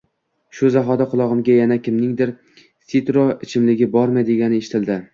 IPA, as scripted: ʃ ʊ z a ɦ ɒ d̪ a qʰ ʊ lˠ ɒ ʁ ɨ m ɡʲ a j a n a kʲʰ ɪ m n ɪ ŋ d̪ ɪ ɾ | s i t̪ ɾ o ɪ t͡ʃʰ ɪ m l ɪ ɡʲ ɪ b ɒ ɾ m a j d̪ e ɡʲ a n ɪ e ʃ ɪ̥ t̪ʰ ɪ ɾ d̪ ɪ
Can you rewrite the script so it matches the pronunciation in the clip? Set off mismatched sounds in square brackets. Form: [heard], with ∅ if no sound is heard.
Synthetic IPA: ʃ ʊ z a ɦ ɒ d̪ a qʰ ʊ lˠ ɒ ʁ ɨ m ɡʲ a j a n a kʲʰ ɪ m n ɪ ŋ d̪ ɪ ɾ | s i t̪ ɾ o ɪ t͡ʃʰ ɪ m l ɪ ɡʲ ɪ b ɒ ɾ m a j d̪ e ɡʲ a n ɪ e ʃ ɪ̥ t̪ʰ ɪ [l] d̪ ɪ